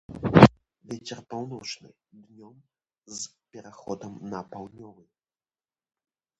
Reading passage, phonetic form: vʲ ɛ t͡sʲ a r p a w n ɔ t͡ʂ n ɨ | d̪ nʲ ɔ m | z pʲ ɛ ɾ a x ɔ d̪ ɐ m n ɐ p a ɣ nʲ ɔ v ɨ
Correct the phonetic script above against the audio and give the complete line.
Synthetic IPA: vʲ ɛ t͡sʲ ɛ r p a w n ɔ t͡ʂ n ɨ | d̪ nʲ ɔ m | z pʲ ɛ ɾ a x ɔ d̪ ɐ m n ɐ p a w nʲ ɔ v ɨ

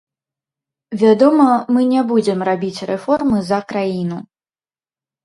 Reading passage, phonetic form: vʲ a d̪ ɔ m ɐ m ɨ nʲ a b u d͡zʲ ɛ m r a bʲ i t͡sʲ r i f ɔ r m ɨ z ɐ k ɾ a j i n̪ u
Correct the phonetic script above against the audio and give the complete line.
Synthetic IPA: vʲ a d̪ ɔ m ɐ m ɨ nʲ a b u d͡zʲ ɛ m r a bʲ i t͡sʲ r ɛ f ɔ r m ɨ z ɐ k ɾ a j i n̪ u

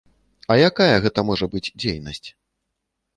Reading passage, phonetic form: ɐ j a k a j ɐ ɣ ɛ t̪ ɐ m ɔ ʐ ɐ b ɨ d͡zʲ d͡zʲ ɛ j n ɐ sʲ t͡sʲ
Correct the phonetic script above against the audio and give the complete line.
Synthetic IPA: ɐ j a k a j ɐ ɣ ɛ t̪ ɐ m ɔ ʐ ɐ b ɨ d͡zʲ d͡zʲ e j n ɐ sʲ t͡sʲ

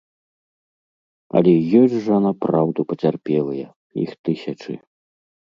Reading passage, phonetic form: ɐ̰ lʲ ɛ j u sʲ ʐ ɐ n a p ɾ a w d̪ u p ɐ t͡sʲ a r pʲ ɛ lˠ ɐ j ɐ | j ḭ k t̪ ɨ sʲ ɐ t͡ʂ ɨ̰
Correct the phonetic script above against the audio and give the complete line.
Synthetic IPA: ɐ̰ lʲ ɛ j ɔ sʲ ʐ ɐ n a p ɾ a w d̪ u p ɐ t͡sʲ a r pʲ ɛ lˠ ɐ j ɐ | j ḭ x t̪ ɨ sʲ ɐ t͡ʂ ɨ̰

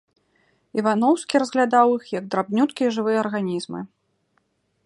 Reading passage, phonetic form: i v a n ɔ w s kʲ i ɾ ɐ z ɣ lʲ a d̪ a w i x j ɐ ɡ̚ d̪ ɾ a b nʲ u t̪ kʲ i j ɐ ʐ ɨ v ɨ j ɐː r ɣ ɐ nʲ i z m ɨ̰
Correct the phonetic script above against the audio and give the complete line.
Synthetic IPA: i v a n ɔ w s kʲ i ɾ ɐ z ɣ lʲ a d̪ a w i x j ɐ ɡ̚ d̪ ɾ a b nʲ u t̪ kʲ i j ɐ ʐ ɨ v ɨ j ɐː r ɣ a nʲ i z m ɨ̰

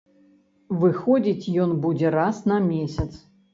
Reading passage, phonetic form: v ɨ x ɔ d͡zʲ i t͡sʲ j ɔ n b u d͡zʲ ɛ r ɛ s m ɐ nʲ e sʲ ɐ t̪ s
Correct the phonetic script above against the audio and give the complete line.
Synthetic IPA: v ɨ x ɔ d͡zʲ i t͡sʲ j ɔ n b u d͡zʲ ɛ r a s n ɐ mʲ e sʲ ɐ t̪ s

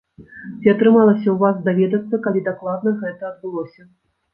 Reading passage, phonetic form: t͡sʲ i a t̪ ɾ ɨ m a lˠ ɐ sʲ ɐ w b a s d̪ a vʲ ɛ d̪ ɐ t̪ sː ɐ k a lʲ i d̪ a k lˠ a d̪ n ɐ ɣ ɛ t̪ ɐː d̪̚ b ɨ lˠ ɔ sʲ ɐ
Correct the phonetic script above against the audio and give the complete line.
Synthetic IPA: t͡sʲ i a t̪ ɾ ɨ m a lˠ ɐ sʲ ɐ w v a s d̪ a vʲ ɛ d̪ ɐ t̪ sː ɐ k a lʲ i d̪ a k lˠ a d̪ n ɐ ɣ ɛ t̪ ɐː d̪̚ b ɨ lˠ ɔ sʲ ɐ

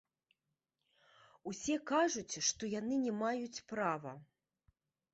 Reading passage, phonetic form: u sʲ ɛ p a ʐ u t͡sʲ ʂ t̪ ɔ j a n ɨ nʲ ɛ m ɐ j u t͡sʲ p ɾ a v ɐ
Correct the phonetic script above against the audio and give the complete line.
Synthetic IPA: u sʲ ɛ k a ʐ u t͡sʲ ʂ t̪ ɔ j a n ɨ nʲ ɛ m a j u t͡sʲ p ɾ a v ɐ

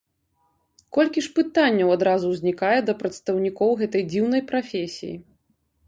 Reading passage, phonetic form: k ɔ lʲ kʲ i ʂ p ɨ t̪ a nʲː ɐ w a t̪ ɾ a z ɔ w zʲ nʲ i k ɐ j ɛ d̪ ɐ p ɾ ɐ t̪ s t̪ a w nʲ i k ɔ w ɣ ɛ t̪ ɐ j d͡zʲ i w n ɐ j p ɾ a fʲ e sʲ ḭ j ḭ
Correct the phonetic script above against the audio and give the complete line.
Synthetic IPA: k ɔ lʲ kʲ i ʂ p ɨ t̪ a nʲː ɐ w a d̪ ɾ a z u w zʲ nʲ i k a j ɛ d̪ ɐ p ɾ ɐ t̪ s t̪ ɐ w nʲ i k ɔ w ɣ ɛ t̪ ɐ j d͡zʲ i w n ɐ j p ɾ a fʲ e sʲ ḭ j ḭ

